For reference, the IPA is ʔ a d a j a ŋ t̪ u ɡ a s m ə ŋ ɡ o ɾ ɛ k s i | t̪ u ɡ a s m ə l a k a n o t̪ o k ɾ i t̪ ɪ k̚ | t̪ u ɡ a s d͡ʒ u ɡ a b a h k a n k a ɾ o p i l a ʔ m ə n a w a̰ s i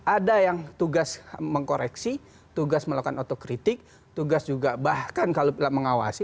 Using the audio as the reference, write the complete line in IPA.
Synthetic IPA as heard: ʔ a d a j a ŋ t̪ u ɡ a s m ə ŋ k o ɾ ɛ k s i | t̪ u ɡ a s m ə l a k a n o t̪ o k ɾ i t̪ ɪ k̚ | t̪ u ɡ a s d͡ʒ u ɡ a b a h k a n k a l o p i l a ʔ m ə ŋ a w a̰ s i